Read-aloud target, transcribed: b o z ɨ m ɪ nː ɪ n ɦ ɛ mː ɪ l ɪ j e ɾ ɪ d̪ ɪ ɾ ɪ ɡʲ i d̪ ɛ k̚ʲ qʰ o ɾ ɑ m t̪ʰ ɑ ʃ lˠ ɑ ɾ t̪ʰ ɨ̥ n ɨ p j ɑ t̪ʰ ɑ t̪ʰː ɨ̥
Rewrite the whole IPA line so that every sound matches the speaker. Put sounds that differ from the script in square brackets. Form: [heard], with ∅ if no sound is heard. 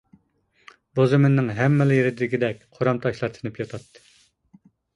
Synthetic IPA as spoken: b o z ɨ m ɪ nː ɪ [ŋ] ɦ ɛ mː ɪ l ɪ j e ɾ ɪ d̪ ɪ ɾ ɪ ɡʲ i d̪ ɛ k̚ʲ qʰ o ɾ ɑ m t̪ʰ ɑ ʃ lˠ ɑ ɾ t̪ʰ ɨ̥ n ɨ p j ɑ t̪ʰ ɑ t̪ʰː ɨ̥